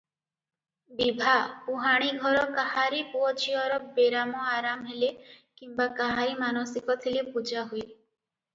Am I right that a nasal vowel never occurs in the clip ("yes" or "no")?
yes